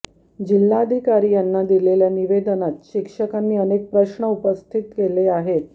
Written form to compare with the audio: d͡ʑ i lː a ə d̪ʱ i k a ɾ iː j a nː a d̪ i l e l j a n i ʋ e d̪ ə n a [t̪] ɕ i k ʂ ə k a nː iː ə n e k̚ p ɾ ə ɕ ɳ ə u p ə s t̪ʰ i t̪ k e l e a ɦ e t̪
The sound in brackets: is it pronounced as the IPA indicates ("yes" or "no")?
yes